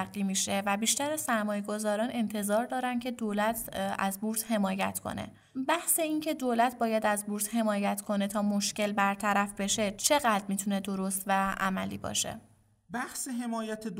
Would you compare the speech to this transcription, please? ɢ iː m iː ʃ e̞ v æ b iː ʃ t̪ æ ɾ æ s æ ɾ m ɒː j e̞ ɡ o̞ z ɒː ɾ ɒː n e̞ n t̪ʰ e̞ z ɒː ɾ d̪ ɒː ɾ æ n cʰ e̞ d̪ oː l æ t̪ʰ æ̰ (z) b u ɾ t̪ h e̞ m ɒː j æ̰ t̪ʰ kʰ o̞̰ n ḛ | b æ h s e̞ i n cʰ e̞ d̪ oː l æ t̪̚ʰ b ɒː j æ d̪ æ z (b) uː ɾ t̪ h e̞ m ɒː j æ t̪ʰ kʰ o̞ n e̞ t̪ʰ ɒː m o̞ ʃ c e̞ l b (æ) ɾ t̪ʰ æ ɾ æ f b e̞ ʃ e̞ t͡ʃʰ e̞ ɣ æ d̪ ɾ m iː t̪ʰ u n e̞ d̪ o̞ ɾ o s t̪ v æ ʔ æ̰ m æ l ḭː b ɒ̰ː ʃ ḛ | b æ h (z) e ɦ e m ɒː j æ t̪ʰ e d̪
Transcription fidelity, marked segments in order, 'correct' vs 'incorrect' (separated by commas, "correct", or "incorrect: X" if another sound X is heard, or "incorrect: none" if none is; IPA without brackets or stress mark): correct, correct, correct, incorrect: s